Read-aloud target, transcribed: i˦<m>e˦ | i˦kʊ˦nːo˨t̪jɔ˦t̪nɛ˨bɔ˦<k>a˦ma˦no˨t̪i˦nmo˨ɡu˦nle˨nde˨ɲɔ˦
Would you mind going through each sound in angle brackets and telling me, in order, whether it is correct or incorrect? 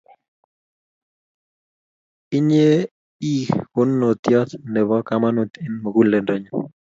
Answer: incorrect: ɲ, correct

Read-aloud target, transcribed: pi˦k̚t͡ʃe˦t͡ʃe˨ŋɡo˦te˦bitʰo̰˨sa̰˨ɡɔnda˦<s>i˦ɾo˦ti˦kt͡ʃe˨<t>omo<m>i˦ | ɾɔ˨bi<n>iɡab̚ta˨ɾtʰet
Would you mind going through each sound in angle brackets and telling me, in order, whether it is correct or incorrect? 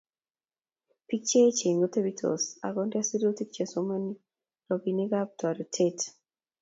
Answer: correct, incorrect: s, incorrect: n, correct

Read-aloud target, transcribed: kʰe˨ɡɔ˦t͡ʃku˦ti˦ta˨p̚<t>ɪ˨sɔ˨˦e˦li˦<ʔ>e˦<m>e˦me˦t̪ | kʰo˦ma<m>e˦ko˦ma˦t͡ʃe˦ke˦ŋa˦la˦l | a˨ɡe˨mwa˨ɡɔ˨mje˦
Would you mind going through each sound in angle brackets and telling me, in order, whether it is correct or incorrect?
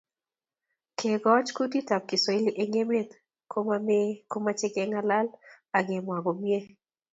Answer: incorrect: k, correct, incorrect: ŋ, correct

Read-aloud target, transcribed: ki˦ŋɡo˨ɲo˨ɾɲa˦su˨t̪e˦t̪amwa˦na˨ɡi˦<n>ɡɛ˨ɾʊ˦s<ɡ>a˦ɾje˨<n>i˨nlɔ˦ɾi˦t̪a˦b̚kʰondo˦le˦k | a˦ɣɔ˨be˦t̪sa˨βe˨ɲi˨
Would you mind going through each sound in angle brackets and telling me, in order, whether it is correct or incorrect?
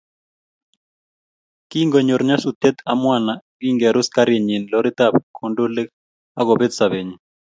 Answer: incorrect: ŋ, incorrect: k, incorrect: ɲ

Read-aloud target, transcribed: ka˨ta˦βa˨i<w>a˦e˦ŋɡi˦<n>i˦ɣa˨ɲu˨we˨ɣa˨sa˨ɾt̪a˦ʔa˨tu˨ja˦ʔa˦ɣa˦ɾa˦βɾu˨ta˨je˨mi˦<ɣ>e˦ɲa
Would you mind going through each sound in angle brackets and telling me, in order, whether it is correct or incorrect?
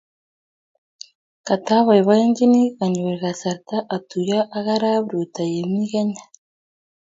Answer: incorrect: β, correct, correct

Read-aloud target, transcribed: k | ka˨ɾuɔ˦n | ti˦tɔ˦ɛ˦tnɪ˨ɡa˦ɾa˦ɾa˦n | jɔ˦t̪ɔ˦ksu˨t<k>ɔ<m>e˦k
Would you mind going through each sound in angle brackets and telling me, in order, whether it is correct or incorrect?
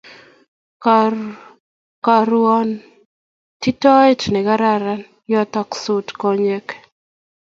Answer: correct, incorrect: ɲ

